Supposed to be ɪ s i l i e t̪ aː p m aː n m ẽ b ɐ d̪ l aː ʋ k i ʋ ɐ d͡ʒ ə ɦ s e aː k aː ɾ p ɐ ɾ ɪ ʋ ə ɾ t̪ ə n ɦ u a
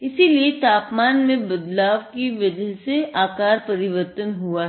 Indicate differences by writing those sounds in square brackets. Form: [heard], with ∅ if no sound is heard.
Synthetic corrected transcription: ɪ s i l i e t̪ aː p m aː n m ẽ b ɐ d̪ l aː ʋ k i ʋ ɐ d͡ʒ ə ɦ s e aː k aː ɾ p ɐ ɾ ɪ ʋ ə ɾ t̪ ə n ɦ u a